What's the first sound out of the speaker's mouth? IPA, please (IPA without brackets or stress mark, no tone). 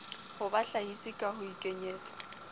h